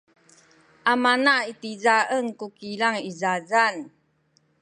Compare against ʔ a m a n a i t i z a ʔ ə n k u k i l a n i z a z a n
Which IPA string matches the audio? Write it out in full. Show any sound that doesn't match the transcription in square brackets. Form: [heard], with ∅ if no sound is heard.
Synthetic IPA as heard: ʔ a m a n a i t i z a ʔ ə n k u k i l a [ŋ] i z a z a n